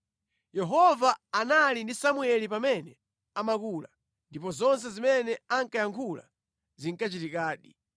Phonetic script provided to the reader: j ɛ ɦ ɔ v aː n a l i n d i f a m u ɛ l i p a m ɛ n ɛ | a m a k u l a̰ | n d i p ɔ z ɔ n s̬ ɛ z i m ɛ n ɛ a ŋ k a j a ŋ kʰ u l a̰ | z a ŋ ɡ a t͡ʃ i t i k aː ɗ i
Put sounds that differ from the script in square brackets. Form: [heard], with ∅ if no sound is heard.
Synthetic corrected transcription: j ɛ ɦ ɔ v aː n a l i n d i [s] a m u ɛ l i p a m ɛ n ɛ | a m a k u l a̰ | n d i p ɔ z ɔ n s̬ ɛ z i m ɛ n ɛ a ŋ k a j a ŋ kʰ u l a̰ | z [i] ŋ [k] a t͡ʃ i t i k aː ɗ i